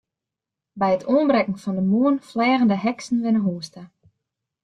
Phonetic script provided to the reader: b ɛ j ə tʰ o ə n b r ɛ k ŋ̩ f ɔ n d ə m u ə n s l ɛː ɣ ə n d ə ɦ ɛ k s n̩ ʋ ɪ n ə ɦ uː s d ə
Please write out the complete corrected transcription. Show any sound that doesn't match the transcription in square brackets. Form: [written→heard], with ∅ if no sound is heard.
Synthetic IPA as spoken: b ɛ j ə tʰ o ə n b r ɛ k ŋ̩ f ɔ n d ə m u ə n [s→f] l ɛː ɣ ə n d ə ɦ ɛ k s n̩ ʋ ɪ n ə ɦ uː s [d→t] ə